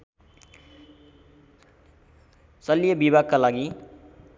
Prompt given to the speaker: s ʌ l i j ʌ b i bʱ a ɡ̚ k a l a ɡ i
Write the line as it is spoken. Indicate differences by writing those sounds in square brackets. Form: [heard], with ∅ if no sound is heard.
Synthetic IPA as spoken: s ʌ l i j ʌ b i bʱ a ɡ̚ k a l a ɡ i